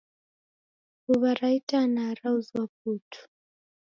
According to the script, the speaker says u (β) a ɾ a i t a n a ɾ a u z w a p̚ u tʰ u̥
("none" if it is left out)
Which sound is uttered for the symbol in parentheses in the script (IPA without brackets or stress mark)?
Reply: β